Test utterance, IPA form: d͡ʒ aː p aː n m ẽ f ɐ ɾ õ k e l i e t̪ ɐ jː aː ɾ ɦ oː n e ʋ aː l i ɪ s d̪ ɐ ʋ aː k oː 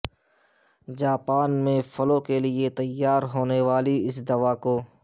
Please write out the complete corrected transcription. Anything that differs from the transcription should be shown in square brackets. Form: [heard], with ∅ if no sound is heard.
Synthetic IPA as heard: d͡ʒ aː p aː n m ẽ f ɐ [l] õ k e l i e t̪ ɐ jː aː ɾ ɦ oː n e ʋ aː l i ɪ s d̪ ɐ ʋ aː k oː